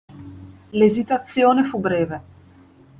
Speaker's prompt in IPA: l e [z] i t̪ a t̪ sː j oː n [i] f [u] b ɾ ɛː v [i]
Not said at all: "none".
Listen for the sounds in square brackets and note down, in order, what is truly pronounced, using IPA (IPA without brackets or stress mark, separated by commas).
z, e, u, e